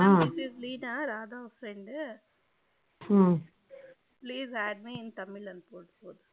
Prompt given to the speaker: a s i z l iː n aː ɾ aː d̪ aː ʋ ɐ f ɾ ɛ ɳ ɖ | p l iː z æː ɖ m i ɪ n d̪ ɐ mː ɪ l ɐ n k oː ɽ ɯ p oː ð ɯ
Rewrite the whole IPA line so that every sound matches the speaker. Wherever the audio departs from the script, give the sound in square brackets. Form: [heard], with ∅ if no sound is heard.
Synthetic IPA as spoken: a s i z l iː n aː ɾ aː d̪ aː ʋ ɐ f ɾ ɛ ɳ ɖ | p l iː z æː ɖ m i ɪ n [t̪] ɐ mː ɪ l ɐ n [p] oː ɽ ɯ p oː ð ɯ